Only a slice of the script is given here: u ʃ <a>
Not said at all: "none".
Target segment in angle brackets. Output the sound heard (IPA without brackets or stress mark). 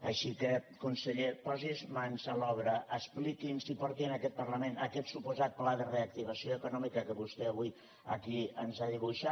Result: a